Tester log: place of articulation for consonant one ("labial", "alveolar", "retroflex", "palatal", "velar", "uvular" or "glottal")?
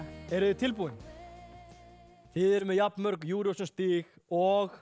alveolar